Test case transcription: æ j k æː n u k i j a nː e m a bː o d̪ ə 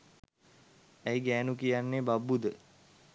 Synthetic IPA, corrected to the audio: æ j ɡ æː n u k i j a nː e b a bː u d̪ ə